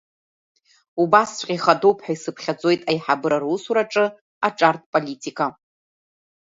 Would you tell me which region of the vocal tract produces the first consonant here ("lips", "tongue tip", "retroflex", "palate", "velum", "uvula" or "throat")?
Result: lips